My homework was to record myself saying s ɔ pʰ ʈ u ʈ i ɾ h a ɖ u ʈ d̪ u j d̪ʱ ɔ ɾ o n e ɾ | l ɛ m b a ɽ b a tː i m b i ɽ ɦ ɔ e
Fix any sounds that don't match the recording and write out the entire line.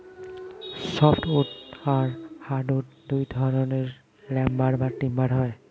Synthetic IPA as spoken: s ɔ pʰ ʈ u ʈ a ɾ h a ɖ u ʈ d̪ u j d̪ʱ ɔ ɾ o n e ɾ | l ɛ m b a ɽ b a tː i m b a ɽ ɦ ɔ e